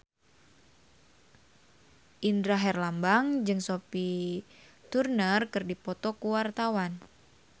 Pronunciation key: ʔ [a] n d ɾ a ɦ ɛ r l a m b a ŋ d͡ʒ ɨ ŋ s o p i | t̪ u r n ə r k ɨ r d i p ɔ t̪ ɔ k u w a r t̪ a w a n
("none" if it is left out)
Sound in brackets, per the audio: i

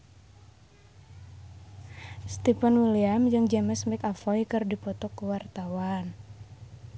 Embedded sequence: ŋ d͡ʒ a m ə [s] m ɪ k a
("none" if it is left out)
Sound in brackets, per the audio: s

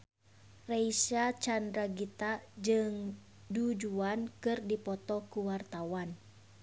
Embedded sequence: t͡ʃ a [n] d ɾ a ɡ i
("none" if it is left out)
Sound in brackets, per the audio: n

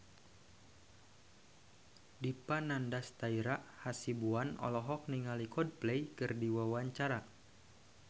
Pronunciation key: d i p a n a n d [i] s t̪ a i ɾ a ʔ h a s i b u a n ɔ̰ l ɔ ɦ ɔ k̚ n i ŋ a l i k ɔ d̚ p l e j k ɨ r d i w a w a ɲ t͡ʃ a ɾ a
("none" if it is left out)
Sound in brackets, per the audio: a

